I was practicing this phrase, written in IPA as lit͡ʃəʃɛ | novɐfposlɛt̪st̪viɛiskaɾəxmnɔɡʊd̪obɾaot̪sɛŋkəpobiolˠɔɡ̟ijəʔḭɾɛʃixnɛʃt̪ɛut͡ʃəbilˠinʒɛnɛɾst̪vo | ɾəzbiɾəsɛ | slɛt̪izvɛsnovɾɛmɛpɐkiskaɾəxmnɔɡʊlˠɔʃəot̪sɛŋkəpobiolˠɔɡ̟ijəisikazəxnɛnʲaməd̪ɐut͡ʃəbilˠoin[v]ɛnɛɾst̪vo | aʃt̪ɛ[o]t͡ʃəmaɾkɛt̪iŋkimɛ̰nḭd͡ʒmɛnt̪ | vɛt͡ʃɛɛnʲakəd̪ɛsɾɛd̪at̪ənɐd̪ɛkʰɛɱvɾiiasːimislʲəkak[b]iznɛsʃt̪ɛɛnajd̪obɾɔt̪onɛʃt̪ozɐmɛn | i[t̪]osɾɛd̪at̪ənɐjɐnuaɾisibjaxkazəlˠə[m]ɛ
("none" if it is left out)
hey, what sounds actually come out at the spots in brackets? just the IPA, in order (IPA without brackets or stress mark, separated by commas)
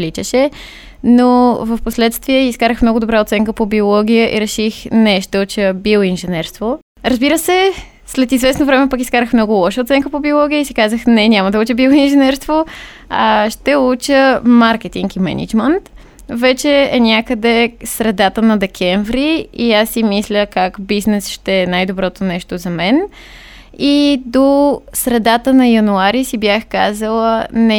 ʒ, u, b, d̪, n